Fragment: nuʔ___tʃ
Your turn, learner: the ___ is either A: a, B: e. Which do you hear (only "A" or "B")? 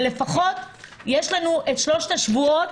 B